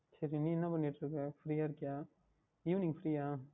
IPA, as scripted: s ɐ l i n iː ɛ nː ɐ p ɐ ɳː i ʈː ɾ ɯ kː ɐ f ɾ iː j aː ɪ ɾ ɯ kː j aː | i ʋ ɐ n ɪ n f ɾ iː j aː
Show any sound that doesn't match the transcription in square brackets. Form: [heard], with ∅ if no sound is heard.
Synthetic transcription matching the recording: s ɐ [ɾ] i n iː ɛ nː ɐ p ɐ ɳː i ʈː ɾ ɯ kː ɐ f ɾ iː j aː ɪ ɾ ɯ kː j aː | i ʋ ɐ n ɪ [ŋ] f ɾ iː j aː